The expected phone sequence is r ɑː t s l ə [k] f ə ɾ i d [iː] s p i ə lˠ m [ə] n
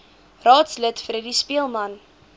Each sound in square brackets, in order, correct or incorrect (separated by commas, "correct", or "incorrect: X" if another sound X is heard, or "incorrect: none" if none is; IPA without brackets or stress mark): incorrect: t, incorrect: i, incorrect: ɐ